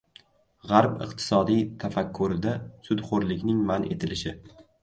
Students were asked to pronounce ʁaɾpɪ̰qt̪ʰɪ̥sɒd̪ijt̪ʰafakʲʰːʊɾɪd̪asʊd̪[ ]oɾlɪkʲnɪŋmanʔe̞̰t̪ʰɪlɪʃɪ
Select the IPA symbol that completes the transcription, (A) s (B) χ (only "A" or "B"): B